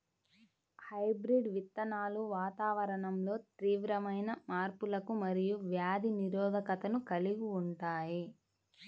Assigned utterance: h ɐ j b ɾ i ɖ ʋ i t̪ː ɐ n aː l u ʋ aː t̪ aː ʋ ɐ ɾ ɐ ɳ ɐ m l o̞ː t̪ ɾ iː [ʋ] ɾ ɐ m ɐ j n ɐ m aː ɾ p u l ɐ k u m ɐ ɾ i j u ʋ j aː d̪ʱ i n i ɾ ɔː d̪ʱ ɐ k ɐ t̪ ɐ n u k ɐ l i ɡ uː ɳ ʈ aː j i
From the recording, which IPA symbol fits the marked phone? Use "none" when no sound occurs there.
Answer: ʋ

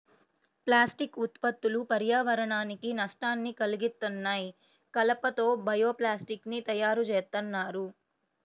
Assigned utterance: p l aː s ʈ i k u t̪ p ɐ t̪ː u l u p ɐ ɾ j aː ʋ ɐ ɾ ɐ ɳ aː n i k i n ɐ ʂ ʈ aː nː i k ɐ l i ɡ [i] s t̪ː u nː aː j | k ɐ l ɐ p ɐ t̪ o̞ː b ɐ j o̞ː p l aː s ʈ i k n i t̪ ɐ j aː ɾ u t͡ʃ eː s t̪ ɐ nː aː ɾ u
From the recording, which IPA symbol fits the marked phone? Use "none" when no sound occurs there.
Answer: i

